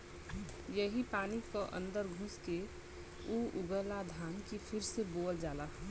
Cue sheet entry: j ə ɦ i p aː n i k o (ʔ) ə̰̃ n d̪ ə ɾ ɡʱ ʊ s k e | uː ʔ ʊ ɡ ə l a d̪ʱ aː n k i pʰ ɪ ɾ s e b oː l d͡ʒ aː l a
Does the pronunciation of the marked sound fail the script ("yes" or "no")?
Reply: no